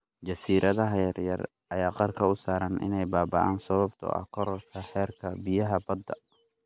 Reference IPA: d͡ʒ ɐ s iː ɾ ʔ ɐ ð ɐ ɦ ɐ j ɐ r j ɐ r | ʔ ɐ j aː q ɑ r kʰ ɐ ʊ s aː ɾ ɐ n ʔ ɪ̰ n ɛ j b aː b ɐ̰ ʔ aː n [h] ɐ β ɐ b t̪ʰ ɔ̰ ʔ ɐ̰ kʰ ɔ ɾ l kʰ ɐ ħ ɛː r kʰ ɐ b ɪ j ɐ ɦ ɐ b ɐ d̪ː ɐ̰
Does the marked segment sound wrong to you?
yes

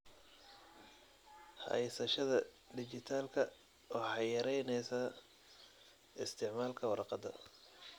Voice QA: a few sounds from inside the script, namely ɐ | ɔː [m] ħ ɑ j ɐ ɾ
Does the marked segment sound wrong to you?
yes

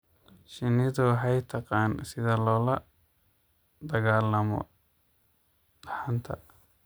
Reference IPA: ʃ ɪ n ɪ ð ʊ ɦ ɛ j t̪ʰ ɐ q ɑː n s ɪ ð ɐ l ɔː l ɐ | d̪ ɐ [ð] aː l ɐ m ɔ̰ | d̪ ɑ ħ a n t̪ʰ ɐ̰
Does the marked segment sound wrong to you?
yes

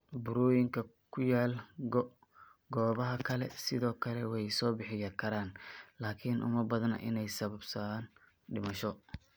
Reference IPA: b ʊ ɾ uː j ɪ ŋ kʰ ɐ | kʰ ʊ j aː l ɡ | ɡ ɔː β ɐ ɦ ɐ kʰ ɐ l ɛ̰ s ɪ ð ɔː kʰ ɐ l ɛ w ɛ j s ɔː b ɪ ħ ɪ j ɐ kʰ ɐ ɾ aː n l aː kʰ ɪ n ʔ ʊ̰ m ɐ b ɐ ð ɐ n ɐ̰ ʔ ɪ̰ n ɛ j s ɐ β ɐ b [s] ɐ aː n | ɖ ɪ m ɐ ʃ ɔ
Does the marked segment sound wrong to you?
no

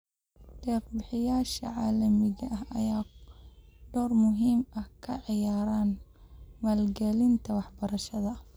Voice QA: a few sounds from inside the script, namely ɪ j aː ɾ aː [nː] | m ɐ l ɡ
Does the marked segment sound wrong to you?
yes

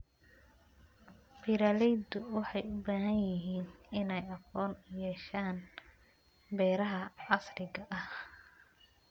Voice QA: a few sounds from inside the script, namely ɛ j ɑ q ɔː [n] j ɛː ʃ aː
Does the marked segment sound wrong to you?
no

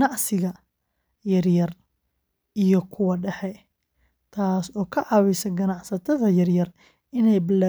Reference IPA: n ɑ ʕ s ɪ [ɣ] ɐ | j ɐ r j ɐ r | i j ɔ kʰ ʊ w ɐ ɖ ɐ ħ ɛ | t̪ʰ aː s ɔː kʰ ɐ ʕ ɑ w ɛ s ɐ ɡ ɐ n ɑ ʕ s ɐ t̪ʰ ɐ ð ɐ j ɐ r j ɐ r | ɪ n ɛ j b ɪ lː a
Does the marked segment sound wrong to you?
no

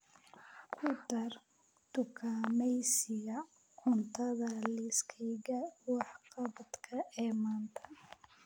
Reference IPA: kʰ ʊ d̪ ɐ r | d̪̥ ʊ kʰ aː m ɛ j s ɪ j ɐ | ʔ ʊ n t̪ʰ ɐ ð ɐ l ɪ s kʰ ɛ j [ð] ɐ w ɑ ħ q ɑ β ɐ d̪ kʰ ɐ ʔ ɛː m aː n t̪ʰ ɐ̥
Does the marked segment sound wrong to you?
yes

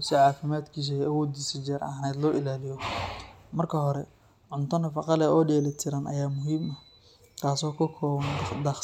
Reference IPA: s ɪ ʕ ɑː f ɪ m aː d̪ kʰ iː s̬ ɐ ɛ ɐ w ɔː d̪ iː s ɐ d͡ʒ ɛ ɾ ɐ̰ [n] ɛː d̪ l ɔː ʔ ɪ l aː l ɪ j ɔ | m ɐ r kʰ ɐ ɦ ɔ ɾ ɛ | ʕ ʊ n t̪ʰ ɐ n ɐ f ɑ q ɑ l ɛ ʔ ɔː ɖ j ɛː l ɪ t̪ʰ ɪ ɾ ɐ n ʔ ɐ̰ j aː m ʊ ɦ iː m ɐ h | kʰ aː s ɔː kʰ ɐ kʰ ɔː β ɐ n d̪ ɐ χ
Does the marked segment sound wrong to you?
no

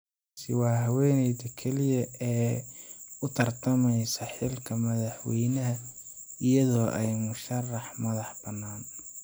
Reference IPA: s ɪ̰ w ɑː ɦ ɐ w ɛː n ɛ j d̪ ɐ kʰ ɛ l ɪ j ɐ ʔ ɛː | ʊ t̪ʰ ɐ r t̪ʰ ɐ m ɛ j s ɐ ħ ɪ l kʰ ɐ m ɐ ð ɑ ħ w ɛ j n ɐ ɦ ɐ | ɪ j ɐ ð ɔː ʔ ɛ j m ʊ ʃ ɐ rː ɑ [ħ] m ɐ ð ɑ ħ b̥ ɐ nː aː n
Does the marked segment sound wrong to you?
no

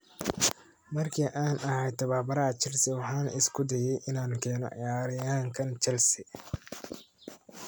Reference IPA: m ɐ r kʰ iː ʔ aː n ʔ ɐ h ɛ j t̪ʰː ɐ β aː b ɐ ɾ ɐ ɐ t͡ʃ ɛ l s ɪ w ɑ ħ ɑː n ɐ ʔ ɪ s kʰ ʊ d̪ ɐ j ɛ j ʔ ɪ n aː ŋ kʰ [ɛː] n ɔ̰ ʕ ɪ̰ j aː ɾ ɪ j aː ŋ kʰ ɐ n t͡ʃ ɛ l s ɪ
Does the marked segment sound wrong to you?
no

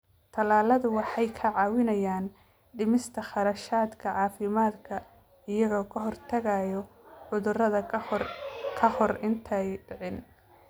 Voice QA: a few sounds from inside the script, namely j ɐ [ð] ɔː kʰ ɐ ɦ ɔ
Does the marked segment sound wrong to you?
yes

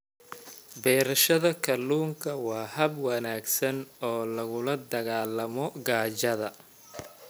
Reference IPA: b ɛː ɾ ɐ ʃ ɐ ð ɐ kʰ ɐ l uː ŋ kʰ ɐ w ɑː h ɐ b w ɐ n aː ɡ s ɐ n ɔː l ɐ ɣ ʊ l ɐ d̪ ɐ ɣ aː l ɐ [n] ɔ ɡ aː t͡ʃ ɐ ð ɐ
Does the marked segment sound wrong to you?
yes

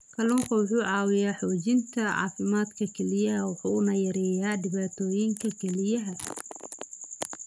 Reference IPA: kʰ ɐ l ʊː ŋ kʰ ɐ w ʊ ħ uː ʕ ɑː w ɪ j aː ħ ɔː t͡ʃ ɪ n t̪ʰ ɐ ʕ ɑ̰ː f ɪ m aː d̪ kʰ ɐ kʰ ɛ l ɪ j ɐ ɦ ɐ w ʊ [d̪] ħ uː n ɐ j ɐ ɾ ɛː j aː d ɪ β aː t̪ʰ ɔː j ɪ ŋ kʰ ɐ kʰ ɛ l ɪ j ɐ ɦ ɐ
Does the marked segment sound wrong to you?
yes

